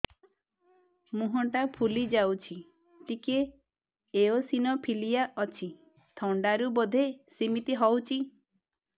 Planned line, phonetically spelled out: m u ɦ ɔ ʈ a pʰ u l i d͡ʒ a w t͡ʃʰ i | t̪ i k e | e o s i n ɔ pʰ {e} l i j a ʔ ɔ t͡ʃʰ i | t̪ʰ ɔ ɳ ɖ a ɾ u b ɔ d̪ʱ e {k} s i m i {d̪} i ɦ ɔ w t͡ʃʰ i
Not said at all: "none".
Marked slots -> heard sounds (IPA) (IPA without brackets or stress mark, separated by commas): i, none, t̪